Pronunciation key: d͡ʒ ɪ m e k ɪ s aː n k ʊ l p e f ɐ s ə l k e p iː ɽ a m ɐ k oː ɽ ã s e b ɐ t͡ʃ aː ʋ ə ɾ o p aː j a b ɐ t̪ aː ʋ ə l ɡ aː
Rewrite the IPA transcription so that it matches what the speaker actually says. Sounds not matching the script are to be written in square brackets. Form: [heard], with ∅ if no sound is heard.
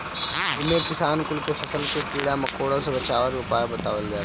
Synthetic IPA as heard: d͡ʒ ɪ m e k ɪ s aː n k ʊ l [k] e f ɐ s ə l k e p iː ɽ a m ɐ k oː ɽ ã s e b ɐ t͡ʃ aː ʋ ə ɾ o p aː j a b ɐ t̪ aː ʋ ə l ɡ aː